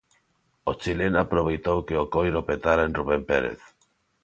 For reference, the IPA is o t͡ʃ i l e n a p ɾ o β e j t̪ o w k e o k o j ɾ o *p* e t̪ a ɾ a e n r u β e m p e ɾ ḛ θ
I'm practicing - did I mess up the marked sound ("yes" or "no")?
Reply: no